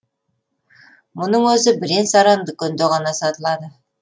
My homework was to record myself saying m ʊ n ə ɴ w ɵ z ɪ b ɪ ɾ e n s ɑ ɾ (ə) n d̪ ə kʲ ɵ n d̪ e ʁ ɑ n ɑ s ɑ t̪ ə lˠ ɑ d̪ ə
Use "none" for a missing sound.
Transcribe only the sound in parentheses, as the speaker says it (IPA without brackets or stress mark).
ɑ